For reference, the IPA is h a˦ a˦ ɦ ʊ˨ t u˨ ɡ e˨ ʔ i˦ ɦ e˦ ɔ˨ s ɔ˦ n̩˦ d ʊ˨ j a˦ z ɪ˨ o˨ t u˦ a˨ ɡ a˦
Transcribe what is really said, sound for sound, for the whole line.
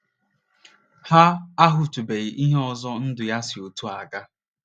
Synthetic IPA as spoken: h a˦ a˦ ɦ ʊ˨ t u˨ b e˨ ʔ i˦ ɦ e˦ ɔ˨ z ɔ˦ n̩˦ d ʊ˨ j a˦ s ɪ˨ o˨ t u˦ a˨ ɡ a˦